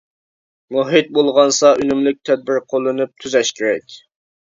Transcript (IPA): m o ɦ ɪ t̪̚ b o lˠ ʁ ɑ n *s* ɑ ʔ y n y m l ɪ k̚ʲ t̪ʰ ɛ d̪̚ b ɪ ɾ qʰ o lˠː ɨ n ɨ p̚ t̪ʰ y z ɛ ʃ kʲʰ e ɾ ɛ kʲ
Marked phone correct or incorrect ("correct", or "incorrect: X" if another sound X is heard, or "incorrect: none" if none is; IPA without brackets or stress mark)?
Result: correct